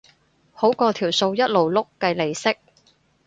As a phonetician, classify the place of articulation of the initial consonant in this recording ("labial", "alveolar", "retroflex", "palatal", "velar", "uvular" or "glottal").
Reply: glottal